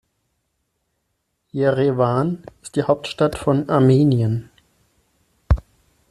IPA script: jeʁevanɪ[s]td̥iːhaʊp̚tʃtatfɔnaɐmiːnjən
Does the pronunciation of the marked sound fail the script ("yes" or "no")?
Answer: no